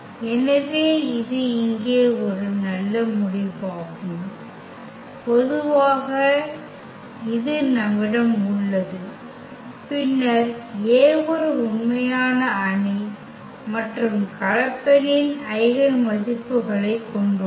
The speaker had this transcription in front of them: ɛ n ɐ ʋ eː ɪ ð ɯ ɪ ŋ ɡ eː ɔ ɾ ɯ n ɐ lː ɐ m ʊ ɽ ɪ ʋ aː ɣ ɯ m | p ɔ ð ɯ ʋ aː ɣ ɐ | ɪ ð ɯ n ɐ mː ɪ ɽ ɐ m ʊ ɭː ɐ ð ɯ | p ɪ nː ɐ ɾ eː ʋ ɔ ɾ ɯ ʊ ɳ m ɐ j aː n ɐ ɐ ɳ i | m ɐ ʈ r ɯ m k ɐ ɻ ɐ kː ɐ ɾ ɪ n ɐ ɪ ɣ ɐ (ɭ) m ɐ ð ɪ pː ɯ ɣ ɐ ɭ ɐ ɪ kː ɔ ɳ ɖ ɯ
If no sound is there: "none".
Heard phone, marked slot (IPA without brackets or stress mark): ɭ